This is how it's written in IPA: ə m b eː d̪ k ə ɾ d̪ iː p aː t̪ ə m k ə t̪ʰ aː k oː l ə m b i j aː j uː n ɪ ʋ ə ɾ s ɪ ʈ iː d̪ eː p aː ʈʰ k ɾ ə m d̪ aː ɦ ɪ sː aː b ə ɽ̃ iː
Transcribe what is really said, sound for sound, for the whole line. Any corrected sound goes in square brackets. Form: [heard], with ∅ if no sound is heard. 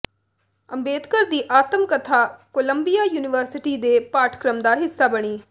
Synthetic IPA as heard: ə m b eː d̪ k ə ɾ d̪ iː [ʔ] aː t̪ ə m k ə t̪ʰ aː k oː l ə m b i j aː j uː n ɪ ʋ ə ɾ s ɪ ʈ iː d̪ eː p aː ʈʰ k ɾ ə m d̪ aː ɦ ɪ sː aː b ə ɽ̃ iː